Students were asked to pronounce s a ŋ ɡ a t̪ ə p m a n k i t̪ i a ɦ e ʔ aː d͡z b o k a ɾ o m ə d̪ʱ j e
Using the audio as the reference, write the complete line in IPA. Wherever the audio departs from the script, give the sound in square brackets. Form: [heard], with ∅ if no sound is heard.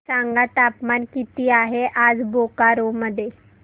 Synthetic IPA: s a ŋ ɡ a t̪ [a] p m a n k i t̪ i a ɦ e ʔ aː d͡z b o k a ɾ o m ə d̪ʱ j e